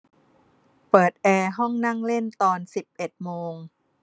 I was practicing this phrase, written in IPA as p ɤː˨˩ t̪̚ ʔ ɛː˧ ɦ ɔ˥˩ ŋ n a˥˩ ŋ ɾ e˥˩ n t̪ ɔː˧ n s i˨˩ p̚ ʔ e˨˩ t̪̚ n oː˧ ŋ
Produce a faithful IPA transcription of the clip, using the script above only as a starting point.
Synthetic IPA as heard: p ɤː˨˩ t̪̚ ʔ ɛː˧ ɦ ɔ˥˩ ŋ n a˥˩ ŋ l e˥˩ n t̪ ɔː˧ n s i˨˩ p̚ ʔ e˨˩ t̪̚ m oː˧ ŋ